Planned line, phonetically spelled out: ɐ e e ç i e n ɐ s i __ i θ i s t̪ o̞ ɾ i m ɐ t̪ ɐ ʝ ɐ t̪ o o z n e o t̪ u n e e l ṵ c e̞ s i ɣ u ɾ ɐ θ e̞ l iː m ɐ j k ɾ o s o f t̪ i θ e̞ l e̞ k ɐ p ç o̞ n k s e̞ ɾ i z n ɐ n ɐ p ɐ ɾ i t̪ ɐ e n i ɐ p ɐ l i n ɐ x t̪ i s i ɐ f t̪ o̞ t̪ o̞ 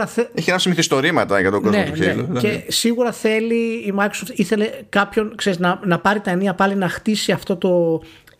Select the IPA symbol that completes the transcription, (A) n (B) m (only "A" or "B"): B